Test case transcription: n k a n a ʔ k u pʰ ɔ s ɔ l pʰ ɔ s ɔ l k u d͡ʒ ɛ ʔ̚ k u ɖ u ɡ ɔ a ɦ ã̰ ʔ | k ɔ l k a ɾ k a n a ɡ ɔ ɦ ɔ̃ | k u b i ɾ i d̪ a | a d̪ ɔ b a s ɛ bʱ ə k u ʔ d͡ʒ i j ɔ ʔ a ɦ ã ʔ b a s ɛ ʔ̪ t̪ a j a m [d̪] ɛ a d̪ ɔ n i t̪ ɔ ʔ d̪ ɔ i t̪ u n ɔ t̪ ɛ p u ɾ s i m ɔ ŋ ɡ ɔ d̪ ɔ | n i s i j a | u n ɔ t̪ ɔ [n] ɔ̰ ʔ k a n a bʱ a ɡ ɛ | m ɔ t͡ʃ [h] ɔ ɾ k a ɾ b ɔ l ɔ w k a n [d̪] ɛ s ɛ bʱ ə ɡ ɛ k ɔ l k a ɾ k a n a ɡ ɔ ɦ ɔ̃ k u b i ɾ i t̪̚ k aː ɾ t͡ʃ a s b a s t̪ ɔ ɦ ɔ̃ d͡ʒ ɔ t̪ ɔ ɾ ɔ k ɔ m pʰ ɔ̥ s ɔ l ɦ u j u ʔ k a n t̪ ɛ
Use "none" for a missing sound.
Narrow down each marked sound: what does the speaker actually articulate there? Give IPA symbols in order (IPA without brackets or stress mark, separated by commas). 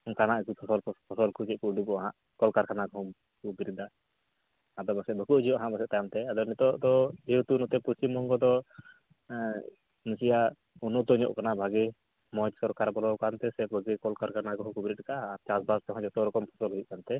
t̪, ɲ, s, t̪